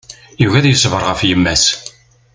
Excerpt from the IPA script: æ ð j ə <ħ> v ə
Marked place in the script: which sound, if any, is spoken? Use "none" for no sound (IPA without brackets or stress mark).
s